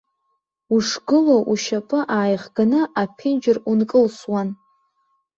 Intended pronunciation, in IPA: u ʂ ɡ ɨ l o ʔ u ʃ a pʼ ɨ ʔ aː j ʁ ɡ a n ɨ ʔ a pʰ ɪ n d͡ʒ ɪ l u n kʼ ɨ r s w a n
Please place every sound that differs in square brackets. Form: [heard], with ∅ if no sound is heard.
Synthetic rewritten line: u ʂ ɡ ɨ l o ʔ u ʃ a pʼ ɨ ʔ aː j ʁ ɡ a n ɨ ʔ a pʰ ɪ n d͡ʒ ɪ [r] u n kʼ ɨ [l] s w a n

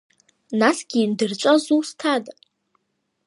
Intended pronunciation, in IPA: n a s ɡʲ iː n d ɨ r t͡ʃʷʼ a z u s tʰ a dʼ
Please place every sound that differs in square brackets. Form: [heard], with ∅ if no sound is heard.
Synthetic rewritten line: n a s ɡʲ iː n d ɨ r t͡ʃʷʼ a z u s tʰ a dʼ

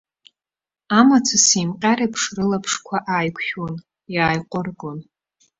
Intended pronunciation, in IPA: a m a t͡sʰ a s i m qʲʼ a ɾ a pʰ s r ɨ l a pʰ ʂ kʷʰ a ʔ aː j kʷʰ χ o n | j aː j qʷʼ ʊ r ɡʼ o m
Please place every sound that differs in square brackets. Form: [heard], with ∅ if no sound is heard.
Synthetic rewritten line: a m a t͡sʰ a s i m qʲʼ a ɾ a pʰ [ʂ] r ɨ l a pʰ ʂ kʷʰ a ʔ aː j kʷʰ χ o n | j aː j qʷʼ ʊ r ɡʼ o [n]

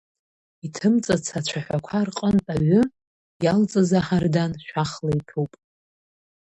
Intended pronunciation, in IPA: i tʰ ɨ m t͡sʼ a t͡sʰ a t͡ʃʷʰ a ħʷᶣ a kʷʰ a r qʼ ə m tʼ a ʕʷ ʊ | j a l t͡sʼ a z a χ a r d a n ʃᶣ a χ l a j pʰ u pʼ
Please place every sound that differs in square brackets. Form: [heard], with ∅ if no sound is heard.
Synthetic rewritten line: i tʰ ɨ m t͡sʼ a t͡sʰ a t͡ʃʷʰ a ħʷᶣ a kʷʰ a r qʼ ə [n] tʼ a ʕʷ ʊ | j a l t͡sʼ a z a [ħ] a r d a n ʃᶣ a χ l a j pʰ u pʼ

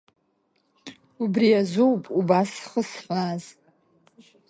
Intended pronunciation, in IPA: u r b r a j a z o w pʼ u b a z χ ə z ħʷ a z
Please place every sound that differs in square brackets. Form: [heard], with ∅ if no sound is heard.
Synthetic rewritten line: u [∅] b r [i] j a z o w pʼ u b a [s] χ ə [s] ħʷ a z

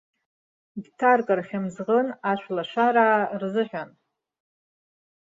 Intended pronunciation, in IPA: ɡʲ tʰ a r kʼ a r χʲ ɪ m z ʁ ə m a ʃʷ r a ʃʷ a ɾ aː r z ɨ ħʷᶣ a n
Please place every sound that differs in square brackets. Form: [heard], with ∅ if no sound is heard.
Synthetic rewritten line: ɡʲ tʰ a r kʼ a r χʲ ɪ m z ʁ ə [n] a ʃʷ [l] a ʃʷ a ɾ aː r z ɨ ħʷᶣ a n

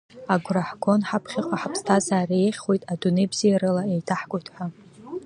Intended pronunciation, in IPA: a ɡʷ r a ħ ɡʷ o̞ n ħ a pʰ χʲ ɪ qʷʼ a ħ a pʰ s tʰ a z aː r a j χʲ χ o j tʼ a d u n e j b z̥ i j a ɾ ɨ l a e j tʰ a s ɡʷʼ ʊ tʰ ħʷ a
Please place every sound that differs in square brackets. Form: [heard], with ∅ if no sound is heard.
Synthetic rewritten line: a ɡʷ r a ħ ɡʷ o̞ n ħ a pʰ χʲ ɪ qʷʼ a ħ a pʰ s tʰ a z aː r [e] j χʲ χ o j tʼ a d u n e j b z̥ i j a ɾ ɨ l a e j tʰ a [ħ] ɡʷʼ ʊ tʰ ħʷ a

